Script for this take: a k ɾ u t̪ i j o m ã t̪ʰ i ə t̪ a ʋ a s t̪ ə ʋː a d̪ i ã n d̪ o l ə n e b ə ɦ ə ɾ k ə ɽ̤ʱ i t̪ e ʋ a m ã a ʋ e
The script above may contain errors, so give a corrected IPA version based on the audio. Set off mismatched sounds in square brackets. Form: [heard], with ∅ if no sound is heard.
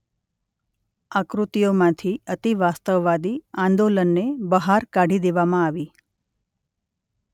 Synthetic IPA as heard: a k ɾ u t̪ i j o m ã t̪ʰ i ə t̪ [i] ʋ a s t̪ ə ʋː a d̪ i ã n d̪ o l ə [nː] e b ə ɦ [a] ɾ k [a] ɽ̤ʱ i [d̪] e ʋ a m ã a ʋ [i]